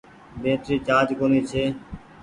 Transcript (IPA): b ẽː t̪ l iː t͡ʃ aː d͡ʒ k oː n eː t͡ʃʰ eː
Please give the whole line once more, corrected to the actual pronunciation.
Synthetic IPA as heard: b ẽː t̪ ɾ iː t͡ʃ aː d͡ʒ k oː n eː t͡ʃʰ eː